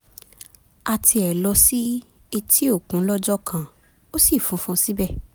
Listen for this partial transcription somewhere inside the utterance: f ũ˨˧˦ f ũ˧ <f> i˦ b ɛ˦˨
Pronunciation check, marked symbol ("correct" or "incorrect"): incorrect